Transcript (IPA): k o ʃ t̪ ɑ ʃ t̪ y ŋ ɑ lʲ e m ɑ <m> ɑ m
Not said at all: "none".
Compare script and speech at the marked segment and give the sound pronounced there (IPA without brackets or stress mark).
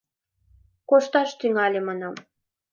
n